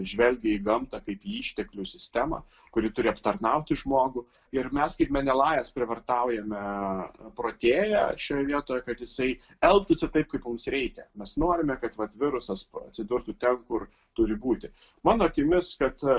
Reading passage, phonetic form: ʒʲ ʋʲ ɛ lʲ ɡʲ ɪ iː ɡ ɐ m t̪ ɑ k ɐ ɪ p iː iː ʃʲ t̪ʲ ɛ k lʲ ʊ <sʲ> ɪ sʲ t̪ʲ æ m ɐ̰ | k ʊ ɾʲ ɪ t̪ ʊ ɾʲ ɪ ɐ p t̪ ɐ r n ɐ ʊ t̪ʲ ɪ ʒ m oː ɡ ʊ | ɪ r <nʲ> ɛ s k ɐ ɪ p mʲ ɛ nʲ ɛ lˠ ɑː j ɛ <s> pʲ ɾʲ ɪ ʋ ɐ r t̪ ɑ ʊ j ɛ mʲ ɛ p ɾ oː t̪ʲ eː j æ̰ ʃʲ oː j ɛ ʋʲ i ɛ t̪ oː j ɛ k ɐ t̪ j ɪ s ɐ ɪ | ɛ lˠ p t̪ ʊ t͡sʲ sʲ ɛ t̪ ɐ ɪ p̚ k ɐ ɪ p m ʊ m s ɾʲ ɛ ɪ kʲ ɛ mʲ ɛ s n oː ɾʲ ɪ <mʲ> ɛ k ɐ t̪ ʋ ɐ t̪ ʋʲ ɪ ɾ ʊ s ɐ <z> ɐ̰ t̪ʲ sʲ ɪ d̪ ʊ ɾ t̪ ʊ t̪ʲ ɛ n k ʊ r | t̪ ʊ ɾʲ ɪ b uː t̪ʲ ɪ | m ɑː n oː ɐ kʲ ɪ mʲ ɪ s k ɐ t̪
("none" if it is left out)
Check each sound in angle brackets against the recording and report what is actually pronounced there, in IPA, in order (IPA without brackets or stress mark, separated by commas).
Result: sʲ, mʲ, s, mʲ, s